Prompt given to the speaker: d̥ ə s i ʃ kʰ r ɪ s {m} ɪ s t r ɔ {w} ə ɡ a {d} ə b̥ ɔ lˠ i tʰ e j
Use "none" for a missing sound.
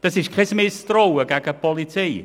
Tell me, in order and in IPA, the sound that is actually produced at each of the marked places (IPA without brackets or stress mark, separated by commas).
m, w, ɡ